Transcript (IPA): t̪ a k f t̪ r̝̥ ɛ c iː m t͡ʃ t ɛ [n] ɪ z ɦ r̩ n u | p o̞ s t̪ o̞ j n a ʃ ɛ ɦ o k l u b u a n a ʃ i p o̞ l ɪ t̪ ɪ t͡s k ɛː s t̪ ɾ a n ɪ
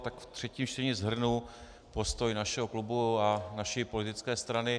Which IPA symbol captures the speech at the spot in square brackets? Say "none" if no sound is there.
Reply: ɲ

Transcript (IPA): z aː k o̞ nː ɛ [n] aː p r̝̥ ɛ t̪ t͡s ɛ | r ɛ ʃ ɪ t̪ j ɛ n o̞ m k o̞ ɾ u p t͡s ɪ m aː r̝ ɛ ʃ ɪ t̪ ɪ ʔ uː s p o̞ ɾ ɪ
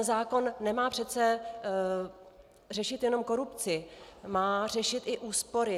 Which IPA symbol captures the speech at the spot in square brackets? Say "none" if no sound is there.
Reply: m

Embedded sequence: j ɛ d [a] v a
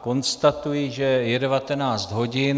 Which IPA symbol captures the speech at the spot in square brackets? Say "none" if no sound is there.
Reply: ɛ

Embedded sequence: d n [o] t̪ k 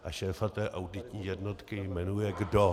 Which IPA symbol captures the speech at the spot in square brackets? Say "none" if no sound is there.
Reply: o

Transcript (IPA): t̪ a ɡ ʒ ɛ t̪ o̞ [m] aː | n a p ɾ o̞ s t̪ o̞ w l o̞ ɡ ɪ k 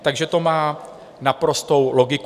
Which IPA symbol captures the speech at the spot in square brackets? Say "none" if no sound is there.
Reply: m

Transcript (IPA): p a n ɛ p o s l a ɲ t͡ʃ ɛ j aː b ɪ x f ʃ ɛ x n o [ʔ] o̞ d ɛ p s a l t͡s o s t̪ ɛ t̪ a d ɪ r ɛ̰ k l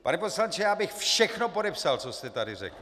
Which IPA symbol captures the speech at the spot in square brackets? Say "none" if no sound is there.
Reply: p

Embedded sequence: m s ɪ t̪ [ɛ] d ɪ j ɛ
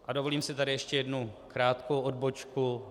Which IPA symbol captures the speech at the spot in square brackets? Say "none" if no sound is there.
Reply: a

